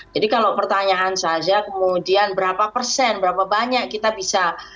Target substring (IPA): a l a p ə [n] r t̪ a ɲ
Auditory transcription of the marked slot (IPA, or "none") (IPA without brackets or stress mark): none